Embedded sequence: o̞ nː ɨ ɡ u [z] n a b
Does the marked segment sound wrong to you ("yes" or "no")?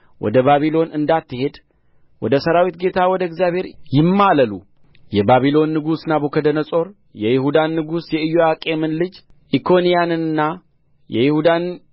yes